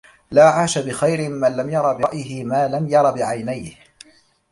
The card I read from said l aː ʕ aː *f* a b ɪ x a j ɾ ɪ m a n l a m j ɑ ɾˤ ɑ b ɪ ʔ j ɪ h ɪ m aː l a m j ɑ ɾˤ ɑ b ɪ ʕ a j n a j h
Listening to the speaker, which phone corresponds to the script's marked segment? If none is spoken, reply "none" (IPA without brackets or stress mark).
ʃ